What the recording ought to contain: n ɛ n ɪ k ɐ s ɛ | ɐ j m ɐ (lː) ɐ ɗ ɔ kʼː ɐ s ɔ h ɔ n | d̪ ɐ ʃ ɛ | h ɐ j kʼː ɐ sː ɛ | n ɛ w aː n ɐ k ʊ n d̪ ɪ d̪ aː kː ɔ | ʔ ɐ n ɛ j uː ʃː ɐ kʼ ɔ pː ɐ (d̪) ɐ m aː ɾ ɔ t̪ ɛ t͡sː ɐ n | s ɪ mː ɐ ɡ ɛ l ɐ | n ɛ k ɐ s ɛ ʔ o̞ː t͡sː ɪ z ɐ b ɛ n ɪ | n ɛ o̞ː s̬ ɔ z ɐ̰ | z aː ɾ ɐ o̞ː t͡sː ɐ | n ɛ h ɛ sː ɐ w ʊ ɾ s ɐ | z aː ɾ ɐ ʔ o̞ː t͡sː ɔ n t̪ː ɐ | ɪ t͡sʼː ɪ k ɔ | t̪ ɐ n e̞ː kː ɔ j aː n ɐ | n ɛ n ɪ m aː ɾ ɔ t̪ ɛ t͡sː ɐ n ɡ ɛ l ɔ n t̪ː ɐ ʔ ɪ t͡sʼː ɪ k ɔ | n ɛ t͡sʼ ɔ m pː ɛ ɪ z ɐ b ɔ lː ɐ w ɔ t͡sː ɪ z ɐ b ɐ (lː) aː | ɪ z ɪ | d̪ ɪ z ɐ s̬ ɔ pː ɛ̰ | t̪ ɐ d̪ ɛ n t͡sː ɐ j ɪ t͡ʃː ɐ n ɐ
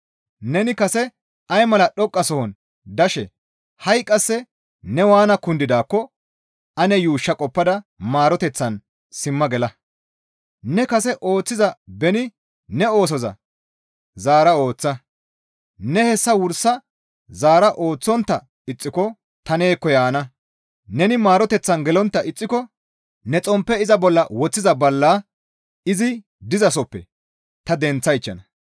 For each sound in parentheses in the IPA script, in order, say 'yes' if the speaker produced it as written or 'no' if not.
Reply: no, yes, yes

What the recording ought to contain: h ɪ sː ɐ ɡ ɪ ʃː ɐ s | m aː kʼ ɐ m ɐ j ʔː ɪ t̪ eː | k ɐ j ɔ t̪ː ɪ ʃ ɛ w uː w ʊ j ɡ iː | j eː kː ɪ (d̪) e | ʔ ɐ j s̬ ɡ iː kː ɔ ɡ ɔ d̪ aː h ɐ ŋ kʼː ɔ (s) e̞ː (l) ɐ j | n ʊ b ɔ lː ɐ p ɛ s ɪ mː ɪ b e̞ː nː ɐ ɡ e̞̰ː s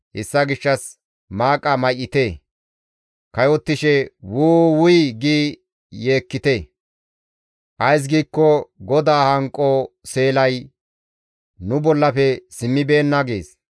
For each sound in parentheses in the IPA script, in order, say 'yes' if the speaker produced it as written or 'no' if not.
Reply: no, yes, yes

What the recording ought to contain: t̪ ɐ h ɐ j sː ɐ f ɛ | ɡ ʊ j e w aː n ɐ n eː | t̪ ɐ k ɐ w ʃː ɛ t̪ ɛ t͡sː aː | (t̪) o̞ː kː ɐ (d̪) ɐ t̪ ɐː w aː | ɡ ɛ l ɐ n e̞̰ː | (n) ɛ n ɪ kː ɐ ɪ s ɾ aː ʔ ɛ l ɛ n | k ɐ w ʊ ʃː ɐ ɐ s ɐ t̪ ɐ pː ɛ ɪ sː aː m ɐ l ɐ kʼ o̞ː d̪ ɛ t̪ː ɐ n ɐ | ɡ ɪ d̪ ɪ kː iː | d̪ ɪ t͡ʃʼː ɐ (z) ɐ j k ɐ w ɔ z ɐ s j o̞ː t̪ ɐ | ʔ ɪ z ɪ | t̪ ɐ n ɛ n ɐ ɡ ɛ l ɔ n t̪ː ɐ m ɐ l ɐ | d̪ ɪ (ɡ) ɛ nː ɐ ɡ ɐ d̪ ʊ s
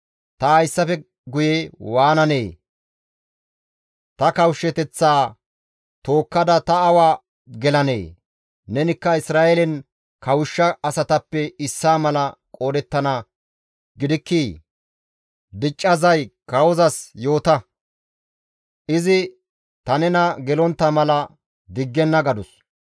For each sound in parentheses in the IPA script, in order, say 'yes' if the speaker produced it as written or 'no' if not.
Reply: yes, yes, yes, yes, no

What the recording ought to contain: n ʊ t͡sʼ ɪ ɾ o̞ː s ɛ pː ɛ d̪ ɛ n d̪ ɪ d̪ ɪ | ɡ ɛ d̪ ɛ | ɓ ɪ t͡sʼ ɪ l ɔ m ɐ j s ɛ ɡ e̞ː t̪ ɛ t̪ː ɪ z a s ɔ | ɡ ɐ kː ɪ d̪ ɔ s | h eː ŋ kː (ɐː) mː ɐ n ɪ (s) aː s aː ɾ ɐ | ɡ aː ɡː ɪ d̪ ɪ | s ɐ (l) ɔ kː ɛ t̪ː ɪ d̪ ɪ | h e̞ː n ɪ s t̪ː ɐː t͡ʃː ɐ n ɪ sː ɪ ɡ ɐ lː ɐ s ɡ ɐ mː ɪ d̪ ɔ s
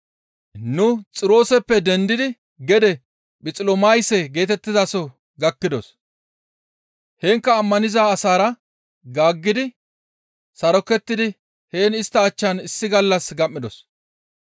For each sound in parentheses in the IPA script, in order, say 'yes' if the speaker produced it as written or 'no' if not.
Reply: yes, no, no

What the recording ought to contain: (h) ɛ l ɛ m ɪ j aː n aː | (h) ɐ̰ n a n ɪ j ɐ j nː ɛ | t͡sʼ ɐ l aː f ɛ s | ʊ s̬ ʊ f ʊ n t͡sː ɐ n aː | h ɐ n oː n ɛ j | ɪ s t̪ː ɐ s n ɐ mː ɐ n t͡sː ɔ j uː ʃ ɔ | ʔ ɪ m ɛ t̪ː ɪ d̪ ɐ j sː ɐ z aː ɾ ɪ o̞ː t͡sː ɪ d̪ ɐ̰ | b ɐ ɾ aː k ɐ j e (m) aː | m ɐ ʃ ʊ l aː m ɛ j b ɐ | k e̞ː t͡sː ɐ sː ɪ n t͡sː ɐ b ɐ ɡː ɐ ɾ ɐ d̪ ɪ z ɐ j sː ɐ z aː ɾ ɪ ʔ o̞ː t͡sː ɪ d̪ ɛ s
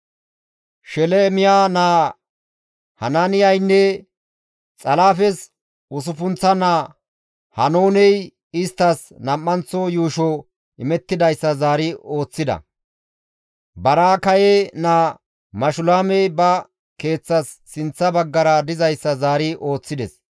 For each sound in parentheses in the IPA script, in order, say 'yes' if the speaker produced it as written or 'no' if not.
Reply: no, yes, no

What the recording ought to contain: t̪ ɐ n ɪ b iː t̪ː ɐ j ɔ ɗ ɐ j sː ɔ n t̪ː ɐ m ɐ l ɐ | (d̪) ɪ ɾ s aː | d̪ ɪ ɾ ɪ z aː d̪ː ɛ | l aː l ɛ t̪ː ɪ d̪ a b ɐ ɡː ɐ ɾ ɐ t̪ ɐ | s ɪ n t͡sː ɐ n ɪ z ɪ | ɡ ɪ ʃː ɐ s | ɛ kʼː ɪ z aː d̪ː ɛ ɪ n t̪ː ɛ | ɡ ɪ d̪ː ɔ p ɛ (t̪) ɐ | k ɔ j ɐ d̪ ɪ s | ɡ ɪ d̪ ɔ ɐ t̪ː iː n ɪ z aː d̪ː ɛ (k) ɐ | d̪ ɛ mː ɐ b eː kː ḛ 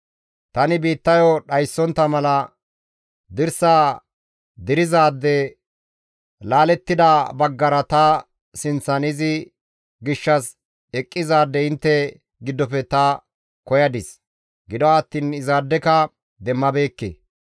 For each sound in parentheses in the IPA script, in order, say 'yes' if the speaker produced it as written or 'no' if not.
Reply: yes, yes, yes

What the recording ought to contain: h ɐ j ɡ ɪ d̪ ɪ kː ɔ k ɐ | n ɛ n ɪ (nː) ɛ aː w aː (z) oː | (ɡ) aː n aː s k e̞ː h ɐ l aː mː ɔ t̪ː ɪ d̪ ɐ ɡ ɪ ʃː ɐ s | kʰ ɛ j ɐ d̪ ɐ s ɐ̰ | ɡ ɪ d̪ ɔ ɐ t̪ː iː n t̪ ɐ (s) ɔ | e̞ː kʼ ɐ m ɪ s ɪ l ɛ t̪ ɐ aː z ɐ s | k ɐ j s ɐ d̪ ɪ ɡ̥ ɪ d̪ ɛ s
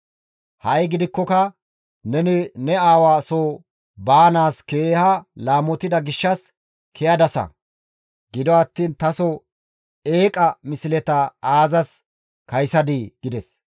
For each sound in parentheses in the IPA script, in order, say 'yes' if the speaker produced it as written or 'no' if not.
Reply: no, no, no, yes

